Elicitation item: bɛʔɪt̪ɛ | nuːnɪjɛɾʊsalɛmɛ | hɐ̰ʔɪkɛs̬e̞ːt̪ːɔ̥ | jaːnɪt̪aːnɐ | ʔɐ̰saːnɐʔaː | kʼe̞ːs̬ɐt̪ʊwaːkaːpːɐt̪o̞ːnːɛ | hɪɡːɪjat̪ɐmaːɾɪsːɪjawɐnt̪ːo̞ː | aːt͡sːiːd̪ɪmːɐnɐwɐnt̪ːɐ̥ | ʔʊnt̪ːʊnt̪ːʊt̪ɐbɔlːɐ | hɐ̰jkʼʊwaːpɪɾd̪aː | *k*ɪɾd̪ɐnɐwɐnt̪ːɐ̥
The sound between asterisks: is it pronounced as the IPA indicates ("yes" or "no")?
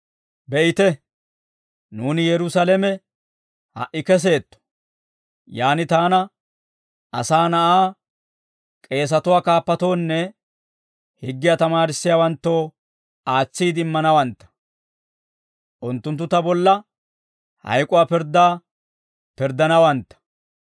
no